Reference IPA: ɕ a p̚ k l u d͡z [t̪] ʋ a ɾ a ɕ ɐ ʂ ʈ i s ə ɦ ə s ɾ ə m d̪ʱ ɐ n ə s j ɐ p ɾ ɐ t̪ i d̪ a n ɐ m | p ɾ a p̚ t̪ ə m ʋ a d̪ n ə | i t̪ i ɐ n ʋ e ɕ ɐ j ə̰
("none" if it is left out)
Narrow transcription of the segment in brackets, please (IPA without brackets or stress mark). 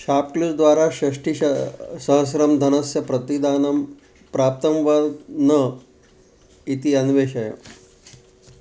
d̪